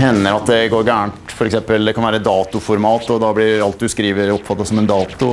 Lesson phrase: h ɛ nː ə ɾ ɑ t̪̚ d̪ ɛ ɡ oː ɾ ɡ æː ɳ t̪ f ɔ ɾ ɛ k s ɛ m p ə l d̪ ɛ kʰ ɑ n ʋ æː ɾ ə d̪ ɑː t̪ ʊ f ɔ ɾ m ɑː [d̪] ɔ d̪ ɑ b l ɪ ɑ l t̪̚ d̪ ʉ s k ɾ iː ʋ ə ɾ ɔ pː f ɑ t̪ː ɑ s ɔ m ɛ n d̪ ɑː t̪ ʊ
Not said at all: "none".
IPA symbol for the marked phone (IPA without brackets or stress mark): t̪